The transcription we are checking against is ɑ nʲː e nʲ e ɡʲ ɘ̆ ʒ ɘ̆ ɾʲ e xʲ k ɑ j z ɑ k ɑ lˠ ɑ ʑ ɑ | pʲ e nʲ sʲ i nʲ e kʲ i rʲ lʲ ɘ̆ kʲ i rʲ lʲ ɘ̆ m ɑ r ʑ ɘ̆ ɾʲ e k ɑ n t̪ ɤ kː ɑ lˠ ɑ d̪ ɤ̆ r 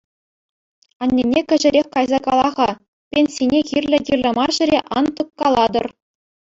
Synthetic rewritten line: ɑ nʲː e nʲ e kʲ ɘ̆ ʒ ɘ̆ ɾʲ e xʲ k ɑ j z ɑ k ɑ lˠ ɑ ʁ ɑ | pʲ e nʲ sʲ i nʲ e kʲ i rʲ lʲ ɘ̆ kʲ i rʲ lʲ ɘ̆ m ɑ r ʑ ɘ̆ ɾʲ e ʔ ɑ n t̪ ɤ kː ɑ lˠ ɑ d̪ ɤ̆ r